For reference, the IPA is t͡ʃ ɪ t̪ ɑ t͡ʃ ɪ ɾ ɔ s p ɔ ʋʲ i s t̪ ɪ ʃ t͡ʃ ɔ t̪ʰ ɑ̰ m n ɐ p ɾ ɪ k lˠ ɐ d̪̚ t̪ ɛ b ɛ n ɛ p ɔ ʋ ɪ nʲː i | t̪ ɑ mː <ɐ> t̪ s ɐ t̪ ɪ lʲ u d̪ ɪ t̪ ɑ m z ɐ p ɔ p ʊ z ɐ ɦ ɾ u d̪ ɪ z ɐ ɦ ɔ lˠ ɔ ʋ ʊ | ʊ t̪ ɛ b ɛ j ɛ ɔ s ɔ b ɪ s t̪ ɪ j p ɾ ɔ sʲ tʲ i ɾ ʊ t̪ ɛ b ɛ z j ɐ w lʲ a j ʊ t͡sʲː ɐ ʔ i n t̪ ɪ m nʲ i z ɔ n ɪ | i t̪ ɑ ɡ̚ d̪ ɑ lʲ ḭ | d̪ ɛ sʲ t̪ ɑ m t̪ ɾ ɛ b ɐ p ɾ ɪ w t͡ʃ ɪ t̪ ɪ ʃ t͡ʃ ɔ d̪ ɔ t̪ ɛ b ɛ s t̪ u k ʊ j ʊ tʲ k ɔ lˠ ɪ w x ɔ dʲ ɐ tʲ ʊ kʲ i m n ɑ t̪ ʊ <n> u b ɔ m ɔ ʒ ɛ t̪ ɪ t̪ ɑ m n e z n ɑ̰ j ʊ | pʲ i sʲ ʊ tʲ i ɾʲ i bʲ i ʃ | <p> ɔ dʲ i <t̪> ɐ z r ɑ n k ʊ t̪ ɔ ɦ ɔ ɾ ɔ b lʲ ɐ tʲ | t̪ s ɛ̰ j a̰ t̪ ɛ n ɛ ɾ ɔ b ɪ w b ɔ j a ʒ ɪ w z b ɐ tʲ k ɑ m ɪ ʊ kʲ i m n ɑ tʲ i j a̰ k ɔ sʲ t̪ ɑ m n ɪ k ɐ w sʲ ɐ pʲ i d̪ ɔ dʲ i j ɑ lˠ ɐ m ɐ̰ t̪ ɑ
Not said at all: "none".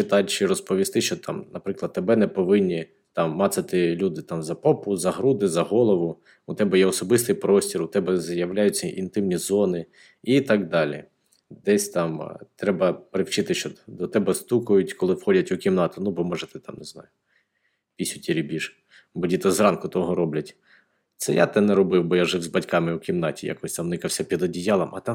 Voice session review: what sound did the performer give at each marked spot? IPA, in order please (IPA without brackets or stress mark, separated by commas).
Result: ɑ, n, b, t̪